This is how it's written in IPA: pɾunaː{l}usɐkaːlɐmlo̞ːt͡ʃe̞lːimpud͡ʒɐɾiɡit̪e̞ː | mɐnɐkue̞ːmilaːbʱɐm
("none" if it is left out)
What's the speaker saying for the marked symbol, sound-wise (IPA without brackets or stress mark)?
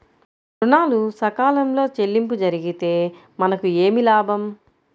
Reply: l